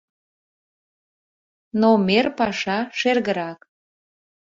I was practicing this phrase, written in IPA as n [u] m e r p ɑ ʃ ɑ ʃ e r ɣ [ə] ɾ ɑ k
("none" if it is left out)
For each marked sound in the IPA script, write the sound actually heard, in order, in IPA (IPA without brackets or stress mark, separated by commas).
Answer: o, ə